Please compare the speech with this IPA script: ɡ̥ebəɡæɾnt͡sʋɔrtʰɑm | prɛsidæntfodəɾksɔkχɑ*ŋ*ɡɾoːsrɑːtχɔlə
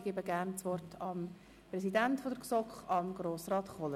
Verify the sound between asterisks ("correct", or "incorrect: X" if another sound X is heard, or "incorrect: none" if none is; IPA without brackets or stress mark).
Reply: incorrect: m